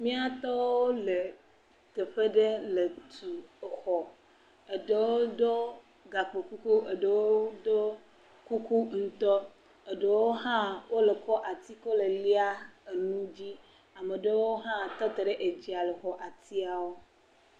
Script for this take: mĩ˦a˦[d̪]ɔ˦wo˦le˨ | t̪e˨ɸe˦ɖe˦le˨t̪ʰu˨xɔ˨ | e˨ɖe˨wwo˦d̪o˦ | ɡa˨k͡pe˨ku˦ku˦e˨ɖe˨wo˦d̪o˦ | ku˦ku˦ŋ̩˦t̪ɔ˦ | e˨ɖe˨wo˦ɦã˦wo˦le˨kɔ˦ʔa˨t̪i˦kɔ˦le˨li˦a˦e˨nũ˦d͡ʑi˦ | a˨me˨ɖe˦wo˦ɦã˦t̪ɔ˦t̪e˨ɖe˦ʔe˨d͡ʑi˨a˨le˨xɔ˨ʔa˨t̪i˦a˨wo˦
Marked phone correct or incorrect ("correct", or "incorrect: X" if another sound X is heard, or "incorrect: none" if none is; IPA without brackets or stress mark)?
incorrect: t̪